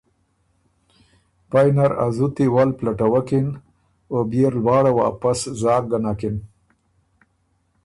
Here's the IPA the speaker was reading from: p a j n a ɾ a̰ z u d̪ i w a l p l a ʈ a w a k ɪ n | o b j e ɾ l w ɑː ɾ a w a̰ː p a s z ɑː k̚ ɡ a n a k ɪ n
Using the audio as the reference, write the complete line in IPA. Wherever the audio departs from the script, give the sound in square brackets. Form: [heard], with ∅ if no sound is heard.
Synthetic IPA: p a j n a ɾ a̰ z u [t̪] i w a l p l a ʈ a w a k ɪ n | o b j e ɾ l w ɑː [ɽ] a w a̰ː p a s z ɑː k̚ ɡ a n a k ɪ n

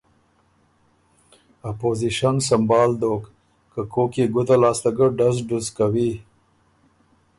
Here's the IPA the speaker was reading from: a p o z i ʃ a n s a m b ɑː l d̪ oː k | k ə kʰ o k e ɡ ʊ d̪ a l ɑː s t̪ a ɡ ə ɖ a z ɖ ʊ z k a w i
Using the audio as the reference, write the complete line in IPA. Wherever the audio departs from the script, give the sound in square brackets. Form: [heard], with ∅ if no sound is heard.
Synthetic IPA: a p o z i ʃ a n s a m b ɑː l d̪ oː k | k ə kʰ o k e ɡ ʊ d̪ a l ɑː s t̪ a ɡ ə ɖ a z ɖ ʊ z k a w i

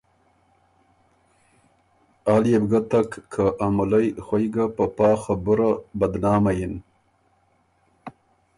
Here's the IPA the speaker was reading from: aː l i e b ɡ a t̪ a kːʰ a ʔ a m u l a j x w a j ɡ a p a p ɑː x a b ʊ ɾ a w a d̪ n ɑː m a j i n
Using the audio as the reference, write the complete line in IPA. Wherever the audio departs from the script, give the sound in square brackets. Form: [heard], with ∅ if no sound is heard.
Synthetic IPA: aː l [j] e b ɡ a t̪ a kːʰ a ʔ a m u l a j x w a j ɡ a p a p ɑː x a b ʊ ɾ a [b] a d̪ n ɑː m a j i n

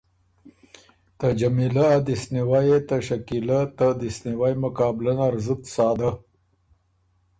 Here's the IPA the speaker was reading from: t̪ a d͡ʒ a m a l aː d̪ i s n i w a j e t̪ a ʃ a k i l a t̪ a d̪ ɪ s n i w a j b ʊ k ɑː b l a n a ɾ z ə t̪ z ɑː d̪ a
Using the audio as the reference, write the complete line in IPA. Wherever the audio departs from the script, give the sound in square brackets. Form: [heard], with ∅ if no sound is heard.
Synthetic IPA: t̪ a d͡ʒ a m [i] l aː d̪ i s n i w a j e t̪ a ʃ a k i l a t̪ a d̪ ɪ s n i w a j [m] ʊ k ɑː b l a n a ɾ z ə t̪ [s] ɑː d̪ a

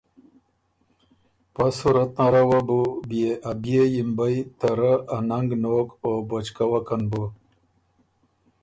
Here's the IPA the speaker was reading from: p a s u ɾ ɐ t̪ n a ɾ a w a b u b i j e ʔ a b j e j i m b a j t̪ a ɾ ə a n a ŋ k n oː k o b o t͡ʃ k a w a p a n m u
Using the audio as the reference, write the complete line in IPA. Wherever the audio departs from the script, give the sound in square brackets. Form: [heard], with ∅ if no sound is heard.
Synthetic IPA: p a s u ɾ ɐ t̪ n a ɾ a w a b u b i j e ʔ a b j e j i m b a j t̪ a ɾ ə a n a ŋ [ɡ] n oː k o b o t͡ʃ k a w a [k] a n [b] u

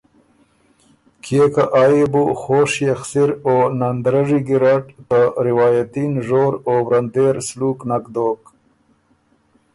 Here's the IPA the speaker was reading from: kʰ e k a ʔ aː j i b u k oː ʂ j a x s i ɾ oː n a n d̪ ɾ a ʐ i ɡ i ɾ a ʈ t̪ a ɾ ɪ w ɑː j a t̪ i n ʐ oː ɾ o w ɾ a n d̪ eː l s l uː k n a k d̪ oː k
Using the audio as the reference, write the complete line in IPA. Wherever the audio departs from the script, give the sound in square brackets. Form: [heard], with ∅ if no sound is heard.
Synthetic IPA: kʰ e k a ʔ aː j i b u [x] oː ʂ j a x s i ɾ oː n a n d̪ ɾ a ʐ i ɡ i ɾ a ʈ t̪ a ɾ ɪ w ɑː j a t̪ i n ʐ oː ɾ o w ɾ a n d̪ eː [ɾ] s l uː k n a k d̪ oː k

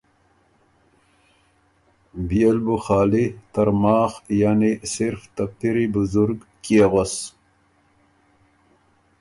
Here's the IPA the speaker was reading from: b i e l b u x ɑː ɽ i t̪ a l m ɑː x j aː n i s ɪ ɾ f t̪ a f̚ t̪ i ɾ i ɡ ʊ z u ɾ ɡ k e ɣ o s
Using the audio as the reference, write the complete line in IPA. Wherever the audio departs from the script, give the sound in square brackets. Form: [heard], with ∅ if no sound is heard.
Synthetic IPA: b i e l b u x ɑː [l] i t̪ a [ɾ] m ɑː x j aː n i s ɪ ɾ f t̪ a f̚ t̪ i ɾ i [b] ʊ z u ɾ ɡ k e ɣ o s

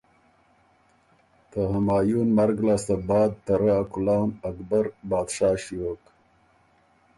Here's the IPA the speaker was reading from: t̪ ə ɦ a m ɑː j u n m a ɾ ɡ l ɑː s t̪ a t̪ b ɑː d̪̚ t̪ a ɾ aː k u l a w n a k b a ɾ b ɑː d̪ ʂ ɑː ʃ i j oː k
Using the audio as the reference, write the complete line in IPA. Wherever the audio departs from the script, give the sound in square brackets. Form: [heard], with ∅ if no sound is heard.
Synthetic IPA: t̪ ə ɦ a m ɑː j u n m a ɾ ɡ l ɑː s t̪ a [∅] b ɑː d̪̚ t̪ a ɾ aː k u l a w n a k b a ɾ b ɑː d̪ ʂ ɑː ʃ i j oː k

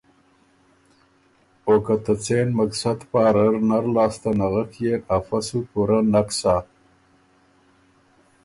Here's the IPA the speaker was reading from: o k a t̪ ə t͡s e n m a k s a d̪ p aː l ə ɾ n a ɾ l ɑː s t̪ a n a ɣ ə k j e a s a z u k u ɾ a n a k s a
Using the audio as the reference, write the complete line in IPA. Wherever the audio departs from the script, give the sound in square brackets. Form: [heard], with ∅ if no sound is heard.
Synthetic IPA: o k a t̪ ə t͡s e n m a k s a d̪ p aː [ɾ] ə ɾ n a ɾ l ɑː s t̪ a n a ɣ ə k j e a [f] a [s] u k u ɾ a n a k s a

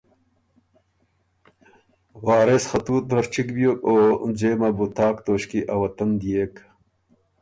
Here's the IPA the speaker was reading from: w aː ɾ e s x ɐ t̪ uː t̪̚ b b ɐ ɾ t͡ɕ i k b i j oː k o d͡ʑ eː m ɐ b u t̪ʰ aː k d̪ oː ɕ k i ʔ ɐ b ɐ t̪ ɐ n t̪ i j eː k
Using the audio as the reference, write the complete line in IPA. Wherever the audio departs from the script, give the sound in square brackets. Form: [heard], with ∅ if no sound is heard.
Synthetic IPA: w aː ɾ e s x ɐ t̪ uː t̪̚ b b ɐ ɾ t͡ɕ i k b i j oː k o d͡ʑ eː m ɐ b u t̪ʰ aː k [t̪] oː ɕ k i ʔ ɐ [w] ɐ t̪ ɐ n [d̪] i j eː k

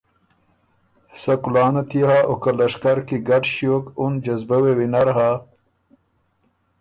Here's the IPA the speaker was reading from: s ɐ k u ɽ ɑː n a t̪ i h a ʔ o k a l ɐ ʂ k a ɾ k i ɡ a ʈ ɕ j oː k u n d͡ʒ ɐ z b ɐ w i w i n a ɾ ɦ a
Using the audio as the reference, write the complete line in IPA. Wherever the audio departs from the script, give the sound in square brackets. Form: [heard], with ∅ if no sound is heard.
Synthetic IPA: s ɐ k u [l] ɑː n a t̪ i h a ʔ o k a l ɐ ʂ k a ɾ k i ɡ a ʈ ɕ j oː k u n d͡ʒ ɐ z b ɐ w [e] w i n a ɾ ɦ a

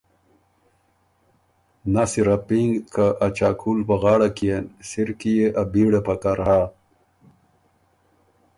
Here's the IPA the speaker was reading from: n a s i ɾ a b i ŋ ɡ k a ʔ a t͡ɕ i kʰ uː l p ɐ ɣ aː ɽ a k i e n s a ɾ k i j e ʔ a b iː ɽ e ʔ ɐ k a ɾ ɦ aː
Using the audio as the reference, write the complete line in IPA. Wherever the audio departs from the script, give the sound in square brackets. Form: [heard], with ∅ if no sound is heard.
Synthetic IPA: n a s i ɾ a [p] i ŋ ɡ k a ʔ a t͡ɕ [a] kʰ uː l p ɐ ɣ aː ɽ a k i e n s [i] ɾ k i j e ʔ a b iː ɽ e [p] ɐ k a ɾ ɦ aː

